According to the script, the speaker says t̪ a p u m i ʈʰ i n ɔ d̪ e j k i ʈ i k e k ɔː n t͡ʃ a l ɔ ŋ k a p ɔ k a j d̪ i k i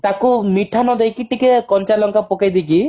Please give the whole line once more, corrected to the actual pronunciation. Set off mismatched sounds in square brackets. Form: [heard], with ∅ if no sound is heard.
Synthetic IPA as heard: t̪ a [k] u m i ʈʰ [a] n ɔ d̪ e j k i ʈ i k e k [ɔ] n t͡ʃ a l ɔ ŋ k a p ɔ k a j d̪ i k i

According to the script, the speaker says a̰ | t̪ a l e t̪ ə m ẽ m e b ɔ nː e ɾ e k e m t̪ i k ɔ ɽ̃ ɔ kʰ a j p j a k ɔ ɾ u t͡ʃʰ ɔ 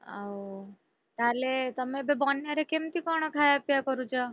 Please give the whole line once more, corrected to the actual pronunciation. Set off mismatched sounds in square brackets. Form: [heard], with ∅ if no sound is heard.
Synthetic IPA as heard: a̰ | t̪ a l e t̪ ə m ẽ [b] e b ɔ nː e ɾ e k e m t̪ i k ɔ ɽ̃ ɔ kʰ a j p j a k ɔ ɾ u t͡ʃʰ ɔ

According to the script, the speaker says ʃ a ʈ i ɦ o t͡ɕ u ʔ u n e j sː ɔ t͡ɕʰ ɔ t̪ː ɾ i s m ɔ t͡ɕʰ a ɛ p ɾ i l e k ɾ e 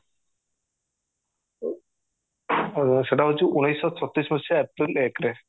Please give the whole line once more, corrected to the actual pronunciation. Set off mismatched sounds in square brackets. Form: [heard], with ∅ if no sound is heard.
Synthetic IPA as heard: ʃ [e] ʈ [a] ɦ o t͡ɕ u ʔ u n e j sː ɔ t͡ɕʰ ɔ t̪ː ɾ i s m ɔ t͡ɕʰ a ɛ p ɾ i l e k ɾ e

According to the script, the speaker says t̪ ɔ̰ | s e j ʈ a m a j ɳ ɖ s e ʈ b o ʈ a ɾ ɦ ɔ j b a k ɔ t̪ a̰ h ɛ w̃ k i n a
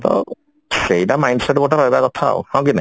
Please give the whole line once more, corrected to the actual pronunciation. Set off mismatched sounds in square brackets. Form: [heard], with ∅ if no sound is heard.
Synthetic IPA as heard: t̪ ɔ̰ | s e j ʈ a m a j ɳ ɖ s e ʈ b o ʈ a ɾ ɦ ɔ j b a k ɔ [t̪ʰ] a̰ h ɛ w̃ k i n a

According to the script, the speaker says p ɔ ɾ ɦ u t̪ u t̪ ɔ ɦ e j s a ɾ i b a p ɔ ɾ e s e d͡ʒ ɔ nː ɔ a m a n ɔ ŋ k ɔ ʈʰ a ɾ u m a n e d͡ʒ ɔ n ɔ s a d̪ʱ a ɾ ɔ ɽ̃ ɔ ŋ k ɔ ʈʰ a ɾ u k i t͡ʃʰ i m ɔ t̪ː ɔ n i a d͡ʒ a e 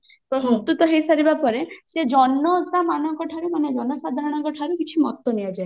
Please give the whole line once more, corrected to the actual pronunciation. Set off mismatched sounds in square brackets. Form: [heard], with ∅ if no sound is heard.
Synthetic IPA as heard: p ɔ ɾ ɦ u t̪ u t̪ ɔ ɦ e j s a ɾ i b a p ɔ ɾ e s e d͡ʒ ɔ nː ɔ a m a n ɔ ŋ k ɔ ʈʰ a ɾ u m a n e d͡ʒ ɔ n ɔ s a d̪ʱ a ɾ ɔ ɽ̃ ɔ ŋ k ɔ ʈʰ a ɾ u k i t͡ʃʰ i m ɔ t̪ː ɔ n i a d͡ʒ a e

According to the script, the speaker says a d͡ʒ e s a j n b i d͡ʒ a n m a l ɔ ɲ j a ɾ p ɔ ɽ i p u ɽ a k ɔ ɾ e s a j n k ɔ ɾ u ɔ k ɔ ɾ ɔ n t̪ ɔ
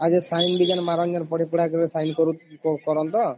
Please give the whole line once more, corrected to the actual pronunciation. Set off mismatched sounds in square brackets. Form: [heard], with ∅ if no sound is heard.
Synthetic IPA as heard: a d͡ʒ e s a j n b i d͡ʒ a n m a [ɾ] ɔ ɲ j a ɾ p ɔ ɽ i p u ɽ a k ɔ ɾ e s a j n k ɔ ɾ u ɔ k ɔ ɾ ɔ n t̪ ɔ

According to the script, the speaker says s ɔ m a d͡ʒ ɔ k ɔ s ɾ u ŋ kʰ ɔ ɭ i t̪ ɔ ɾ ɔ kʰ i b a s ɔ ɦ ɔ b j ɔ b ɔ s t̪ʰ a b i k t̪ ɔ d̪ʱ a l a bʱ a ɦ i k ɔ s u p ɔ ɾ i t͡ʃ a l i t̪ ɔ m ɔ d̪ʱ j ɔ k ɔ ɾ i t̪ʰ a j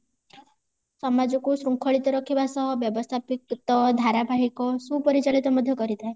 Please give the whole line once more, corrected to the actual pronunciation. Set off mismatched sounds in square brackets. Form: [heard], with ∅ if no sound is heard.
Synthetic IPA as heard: s ɔ m a d͡ʒ ɔ k [u] s ɾ u ŋ kʰ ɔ ɭ i t̪ ɔ ɾ ɔ kʰ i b a s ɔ ɦ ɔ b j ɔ b ɔ s t̪ʰ a [p] i k t̪ ɔ d̪ʱ a [ɾ] a bʱ a ɦ i k ɔ s u p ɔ ɾ i t͡ʃ a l i t̪ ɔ m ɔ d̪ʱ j ɔ k ɔ ɾ i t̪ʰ a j

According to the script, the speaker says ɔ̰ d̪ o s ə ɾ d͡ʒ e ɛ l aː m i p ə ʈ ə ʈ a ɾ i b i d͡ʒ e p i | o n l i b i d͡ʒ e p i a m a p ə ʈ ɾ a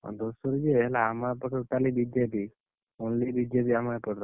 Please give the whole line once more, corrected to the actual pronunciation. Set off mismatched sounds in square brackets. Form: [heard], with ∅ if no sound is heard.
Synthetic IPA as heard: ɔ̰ d̪ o s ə ɾ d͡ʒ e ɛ l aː m [a] p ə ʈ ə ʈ a [l] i b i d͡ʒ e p i | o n l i b i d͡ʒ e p i a m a p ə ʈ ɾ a

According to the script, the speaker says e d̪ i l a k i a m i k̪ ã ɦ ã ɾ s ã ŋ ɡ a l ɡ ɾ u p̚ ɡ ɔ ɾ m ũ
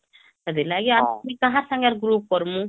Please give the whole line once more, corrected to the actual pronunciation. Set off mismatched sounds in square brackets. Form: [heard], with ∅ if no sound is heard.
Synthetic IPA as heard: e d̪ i l a [ɡ] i a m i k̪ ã ɦ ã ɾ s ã ŋ ɡ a [ɾ] ɡ ɾ u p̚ [k] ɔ ɾ m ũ

